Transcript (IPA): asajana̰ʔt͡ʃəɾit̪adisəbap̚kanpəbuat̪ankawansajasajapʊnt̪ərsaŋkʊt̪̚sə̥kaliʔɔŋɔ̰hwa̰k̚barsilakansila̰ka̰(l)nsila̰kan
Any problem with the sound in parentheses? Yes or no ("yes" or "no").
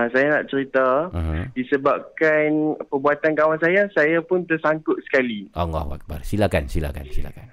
yes